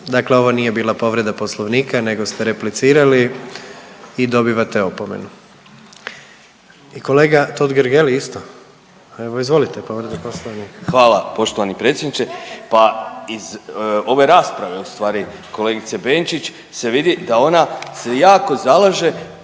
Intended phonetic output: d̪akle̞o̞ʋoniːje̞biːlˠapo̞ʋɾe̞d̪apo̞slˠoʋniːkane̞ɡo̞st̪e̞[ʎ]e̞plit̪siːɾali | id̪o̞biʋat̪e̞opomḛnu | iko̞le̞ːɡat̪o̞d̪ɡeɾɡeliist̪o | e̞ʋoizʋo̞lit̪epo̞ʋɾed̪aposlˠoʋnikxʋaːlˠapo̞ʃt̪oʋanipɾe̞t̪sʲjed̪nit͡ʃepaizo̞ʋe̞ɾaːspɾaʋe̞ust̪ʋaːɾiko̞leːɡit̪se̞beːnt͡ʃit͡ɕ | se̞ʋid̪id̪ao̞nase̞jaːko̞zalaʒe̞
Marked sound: incorrect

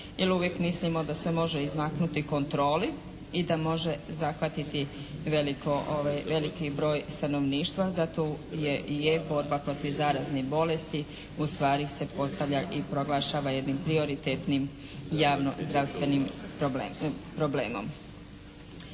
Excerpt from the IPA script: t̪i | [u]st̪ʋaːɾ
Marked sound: correct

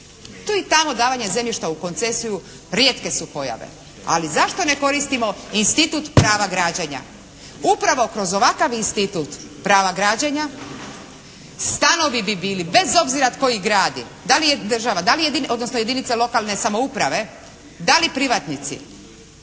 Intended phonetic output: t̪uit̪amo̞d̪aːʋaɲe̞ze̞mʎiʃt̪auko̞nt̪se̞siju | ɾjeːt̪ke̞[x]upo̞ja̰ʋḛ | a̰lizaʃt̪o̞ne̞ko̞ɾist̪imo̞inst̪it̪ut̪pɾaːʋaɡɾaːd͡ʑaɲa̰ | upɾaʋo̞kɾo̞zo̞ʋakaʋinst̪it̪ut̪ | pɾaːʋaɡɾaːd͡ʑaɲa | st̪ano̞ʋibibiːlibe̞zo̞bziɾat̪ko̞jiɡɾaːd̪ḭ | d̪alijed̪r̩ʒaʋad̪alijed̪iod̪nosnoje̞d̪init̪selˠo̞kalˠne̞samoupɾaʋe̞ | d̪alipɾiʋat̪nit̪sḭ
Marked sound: incorrect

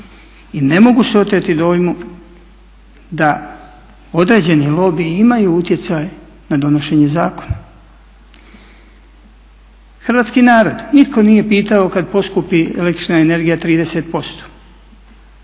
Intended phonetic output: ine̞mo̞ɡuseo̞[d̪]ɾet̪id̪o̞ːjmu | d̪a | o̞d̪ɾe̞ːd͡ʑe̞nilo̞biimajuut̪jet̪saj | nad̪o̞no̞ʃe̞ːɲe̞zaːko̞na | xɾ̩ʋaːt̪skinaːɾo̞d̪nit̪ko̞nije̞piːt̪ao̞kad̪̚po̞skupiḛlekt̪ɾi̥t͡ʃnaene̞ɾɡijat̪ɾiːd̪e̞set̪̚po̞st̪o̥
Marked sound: incorrect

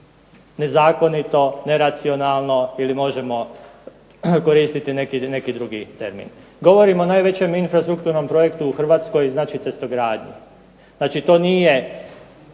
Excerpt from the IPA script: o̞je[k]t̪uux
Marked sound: correct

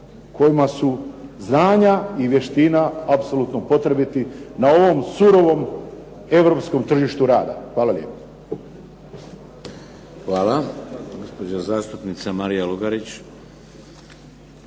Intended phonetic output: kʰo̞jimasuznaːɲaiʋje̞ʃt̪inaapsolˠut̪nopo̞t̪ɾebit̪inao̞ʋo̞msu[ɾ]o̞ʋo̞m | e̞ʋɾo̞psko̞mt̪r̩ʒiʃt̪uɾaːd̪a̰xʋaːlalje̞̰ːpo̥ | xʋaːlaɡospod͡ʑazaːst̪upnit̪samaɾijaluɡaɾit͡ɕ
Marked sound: correct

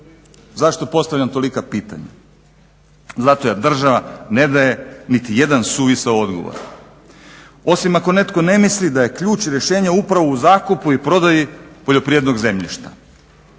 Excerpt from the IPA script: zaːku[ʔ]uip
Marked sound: incorrect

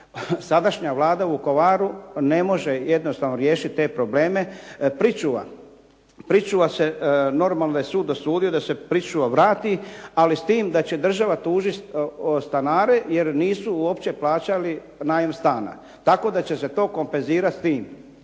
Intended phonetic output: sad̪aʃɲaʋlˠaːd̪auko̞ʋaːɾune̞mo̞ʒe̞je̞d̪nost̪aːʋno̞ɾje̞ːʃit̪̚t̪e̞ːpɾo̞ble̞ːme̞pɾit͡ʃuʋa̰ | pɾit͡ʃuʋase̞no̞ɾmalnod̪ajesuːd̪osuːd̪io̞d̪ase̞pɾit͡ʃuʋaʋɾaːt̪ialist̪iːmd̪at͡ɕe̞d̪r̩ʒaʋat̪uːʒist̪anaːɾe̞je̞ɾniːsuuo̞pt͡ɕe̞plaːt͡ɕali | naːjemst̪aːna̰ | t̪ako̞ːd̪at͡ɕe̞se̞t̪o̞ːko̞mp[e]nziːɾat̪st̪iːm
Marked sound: correct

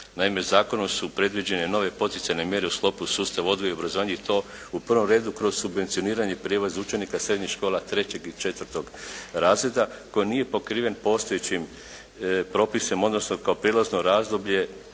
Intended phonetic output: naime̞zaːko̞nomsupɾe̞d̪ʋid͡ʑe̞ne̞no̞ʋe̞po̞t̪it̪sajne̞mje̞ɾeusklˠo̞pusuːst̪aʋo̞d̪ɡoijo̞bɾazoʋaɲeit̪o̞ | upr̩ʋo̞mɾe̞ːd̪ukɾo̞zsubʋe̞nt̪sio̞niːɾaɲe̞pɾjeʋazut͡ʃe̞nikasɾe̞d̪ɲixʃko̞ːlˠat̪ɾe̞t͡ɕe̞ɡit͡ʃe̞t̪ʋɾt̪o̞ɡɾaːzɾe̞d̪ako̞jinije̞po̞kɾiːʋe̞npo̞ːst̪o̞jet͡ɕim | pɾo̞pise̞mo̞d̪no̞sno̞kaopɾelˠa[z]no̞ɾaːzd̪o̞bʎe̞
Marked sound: correct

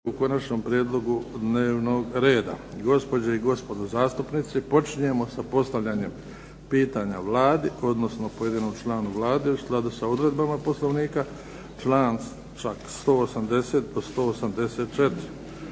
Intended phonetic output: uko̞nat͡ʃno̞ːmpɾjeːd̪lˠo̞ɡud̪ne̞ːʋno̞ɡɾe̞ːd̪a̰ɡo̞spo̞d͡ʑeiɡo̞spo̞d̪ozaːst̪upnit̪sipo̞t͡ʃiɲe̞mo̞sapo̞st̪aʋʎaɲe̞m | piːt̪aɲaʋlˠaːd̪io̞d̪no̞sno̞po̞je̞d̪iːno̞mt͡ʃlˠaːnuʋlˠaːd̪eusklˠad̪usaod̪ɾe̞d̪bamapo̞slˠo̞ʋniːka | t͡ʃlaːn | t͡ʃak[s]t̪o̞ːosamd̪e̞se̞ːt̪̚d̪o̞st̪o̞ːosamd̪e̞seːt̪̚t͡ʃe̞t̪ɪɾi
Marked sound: correct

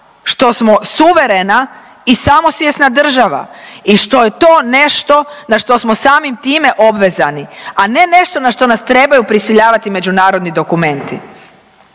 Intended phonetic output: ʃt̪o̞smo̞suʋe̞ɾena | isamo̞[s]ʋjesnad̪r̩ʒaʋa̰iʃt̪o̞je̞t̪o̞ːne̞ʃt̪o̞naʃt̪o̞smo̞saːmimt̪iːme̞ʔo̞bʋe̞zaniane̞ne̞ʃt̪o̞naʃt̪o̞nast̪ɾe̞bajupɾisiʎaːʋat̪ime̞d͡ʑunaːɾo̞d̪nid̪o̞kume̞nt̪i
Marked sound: correct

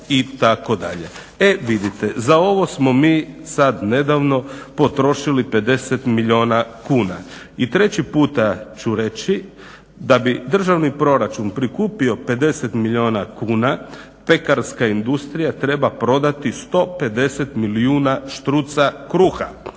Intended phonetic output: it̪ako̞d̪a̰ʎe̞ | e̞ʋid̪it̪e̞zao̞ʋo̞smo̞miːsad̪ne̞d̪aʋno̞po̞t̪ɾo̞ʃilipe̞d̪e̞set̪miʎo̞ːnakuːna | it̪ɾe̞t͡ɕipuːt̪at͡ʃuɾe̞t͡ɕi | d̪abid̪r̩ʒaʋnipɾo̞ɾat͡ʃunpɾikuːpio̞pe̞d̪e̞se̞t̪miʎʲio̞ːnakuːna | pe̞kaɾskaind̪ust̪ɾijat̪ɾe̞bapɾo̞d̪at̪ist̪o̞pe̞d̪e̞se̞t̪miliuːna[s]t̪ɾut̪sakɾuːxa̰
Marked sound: incorrect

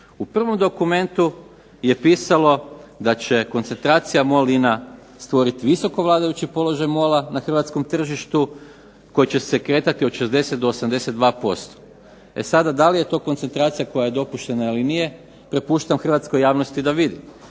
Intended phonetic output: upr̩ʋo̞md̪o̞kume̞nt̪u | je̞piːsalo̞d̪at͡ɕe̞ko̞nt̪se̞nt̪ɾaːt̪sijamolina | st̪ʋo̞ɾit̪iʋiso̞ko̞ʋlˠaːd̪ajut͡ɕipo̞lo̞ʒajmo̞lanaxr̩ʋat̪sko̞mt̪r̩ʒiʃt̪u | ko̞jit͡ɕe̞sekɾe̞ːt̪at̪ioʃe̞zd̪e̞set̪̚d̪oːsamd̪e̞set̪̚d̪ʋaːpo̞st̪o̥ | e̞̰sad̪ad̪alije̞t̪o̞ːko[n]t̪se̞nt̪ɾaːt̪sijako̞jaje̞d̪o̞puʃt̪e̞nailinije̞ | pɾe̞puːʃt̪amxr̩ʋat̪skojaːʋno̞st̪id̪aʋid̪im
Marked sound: correct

